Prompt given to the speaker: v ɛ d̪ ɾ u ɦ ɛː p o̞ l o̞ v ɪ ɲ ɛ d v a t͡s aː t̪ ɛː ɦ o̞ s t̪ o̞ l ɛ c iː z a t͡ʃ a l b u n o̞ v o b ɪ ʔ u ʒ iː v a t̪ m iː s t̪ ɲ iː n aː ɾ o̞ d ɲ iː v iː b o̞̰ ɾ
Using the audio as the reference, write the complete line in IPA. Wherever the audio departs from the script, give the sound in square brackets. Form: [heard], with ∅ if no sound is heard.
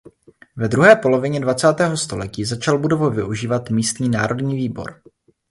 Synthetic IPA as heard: v ɛ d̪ ɾ u ɦ ɛː p o̞ l o̞ v ɪ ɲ ɛ d v a t͡s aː t̪ ɛː ɦ o̞ s t̪ o̞ l ɛ c iː z a t͡ʃ a l b u [d] o̞ v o [v] ɪ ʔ u ʒ iː v a t̪ m iː s t̪ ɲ iː n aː ɾ o̞ d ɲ iː v iː b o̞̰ ɾ